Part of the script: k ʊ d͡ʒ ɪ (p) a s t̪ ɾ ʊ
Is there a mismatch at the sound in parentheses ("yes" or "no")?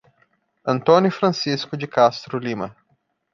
yes